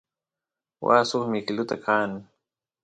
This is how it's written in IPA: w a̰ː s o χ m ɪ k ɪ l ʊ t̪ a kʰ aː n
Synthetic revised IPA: w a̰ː s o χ m ɪ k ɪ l ʊ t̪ a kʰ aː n